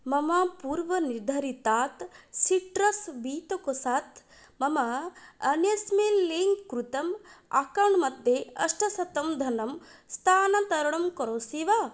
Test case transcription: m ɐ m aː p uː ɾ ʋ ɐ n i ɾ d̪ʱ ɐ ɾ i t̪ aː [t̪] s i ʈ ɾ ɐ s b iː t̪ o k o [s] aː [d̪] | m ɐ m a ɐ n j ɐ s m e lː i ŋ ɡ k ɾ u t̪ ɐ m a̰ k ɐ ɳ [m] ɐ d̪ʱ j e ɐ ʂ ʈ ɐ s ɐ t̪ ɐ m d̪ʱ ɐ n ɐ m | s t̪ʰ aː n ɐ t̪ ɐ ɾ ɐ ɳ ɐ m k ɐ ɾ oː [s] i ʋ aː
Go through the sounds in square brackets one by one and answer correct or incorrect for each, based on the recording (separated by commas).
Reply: correct, correct, incorrect, correct, correct